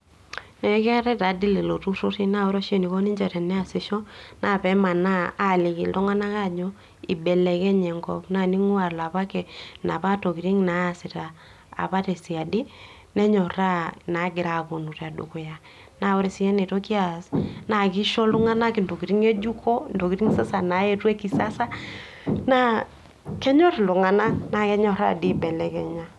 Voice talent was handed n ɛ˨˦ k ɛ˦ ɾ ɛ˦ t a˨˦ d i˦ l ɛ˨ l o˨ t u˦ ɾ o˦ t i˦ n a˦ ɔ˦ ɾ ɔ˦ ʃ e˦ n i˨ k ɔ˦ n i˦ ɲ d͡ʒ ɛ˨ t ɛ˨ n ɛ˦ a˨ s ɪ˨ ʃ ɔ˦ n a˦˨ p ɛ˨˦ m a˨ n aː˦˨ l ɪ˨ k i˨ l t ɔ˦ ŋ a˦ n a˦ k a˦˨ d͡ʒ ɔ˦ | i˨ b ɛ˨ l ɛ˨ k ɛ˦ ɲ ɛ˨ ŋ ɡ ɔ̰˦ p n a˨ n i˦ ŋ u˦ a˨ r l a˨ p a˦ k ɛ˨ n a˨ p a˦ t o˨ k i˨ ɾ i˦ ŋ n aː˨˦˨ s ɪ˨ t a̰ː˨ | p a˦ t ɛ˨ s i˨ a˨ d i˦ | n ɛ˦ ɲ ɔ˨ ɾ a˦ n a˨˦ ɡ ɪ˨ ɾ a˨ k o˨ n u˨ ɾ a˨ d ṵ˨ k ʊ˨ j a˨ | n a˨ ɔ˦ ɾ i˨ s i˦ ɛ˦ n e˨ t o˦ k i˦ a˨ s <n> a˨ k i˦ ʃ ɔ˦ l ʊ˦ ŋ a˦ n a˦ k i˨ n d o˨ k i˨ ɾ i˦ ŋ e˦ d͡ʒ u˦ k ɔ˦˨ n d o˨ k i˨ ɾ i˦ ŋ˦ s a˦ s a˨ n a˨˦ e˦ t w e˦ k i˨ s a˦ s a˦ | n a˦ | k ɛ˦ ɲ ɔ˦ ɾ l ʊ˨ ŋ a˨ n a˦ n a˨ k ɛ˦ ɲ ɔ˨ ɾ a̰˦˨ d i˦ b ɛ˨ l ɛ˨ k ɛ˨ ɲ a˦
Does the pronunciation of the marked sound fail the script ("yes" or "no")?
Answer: no